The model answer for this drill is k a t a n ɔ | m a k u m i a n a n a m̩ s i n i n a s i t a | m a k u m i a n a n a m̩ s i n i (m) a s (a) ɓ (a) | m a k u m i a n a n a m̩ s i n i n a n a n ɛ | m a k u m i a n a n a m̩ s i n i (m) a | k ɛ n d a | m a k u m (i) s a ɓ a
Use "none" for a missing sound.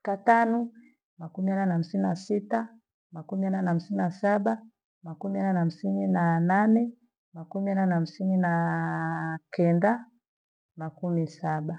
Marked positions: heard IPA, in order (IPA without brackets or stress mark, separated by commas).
n, a, a, n, i